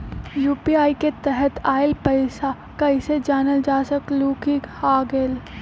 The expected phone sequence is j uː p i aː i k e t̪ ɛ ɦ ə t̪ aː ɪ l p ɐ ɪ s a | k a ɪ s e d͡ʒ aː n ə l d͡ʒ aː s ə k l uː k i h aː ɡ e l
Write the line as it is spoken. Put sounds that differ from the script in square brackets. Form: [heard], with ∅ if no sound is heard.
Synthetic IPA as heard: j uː p i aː i k e t̪ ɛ ɦ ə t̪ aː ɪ l p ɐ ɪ s a | k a ɪ s e d͡ʒ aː n ə l d͡ʒ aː s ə k l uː k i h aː ɡ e l